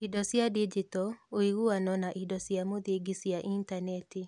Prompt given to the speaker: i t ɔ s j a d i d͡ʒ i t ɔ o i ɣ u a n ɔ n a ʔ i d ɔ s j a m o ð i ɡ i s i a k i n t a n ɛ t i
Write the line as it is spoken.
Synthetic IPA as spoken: i d ɔ s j a d i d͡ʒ i t ɔ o i ɣ u a n ɔ n a ʔ i d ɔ s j a m o ð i ɡ i s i a ʔ i n t a n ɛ t i